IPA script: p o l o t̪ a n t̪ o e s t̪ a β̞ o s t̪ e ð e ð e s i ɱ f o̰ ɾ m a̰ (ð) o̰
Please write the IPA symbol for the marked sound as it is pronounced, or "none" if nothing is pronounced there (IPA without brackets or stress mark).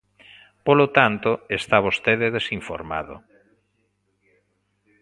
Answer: ð